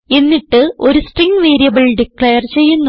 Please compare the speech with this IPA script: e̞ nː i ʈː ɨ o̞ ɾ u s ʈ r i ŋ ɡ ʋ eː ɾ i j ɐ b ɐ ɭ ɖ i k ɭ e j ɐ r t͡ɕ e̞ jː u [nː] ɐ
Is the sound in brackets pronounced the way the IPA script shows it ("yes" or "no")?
yes